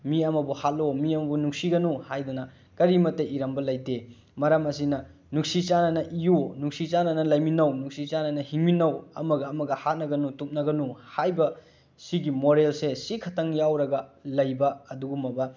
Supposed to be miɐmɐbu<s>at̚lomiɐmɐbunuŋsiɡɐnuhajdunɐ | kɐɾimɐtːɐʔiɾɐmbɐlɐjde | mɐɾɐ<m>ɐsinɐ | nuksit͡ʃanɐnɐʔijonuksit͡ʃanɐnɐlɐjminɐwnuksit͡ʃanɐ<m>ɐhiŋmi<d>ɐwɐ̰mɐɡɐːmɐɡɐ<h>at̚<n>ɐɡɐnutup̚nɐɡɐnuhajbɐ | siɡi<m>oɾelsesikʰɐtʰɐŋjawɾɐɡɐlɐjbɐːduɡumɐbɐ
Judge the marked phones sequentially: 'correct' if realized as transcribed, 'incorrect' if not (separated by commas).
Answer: incorrect, correct, incorrect, incorrect, correct, correct, correct